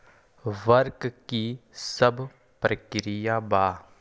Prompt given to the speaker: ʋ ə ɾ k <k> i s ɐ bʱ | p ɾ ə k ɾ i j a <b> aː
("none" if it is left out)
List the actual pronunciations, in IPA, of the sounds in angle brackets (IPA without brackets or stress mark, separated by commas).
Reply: k, b